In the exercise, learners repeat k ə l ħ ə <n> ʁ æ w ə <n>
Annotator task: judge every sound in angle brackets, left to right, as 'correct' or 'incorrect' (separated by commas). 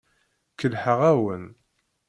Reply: incorrect, correct